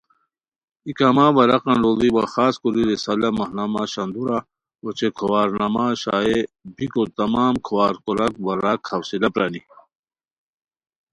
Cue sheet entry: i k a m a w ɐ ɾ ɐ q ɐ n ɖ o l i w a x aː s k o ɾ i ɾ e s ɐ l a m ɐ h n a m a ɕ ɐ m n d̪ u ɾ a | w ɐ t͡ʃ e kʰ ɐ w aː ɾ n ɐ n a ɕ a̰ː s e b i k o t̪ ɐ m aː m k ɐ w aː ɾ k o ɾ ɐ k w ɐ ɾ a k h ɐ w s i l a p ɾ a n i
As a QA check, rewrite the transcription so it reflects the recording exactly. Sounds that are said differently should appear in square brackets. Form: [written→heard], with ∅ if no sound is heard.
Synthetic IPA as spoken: i k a m a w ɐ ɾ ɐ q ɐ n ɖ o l i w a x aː s k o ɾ i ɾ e s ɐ l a m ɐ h n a m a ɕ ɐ [m→∅] n d̪ u ɾ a | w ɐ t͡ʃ e kʰ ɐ w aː ɾ n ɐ [n→m] a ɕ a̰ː [s→∅] e b i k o t̪ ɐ m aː m [k→kʰ] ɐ w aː ɾ k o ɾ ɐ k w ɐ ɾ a k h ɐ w s i l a p ɾ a n i